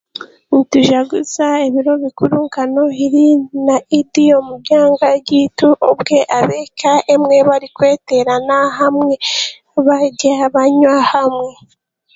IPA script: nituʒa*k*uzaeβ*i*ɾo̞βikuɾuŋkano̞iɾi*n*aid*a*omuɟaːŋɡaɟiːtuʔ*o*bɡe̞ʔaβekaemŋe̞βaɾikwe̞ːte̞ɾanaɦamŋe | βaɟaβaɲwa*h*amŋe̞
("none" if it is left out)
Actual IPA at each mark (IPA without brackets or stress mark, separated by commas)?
ɡ, i, n, i, o, h